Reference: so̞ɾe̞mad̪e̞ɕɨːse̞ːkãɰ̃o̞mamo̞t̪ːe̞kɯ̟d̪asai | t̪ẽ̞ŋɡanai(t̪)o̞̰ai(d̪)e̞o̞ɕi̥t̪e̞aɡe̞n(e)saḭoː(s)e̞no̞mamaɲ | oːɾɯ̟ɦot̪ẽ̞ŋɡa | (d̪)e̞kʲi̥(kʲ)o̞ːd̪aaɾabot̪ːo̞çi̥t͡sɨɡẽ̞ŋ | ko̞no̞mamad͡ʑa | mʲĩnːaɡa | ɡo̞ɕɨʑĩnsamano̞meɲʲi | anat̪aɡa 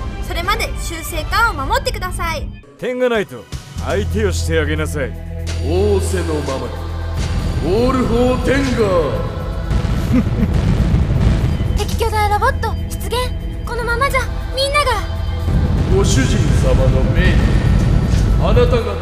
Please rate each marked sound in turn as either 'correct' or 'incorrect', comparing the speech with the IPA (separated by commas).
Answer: correct, incorrect, incorrect, correct, incorrect, correct